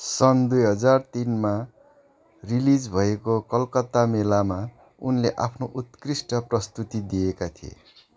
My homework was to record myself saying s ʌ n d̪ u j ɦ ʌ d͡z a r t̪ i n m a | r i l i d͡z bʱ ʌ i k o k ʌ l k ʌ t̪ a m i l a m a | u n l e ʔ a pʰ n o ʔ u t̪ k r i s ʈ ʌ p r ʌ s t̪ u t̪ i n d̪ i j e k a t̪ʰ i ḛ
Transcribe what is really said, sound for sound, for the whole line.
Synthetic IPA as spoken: s ʌ n d̪ u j ɦ ʌ d͡z a r t̪ i n m a | r i l i d͡z bʱ ʌ e k o k ʌ l k ʌ t̪ a m e l a m a | u n l e ʔ a pʰ n o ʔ u t̪ k r i s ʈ ʌ p r ʌ s t̪ u t̪ i d̪ i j e k a t̪ʰ i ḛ